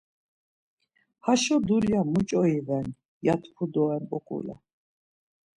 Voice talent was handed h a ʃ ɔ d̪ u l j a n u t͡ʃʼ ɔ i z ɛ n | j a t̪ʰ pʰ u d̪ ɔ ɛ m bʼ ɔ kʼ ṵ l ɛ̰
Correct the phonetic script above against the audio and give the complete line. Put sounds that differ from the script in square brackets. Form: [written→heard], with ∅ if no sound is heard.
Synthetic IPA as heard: h a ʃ ɔ d̪ u l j a [n→m] u t͡ʃʼ ɔ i [z→v] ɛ n | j a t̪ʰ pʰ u d̪ ɔ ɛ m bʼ ɔ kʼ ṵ l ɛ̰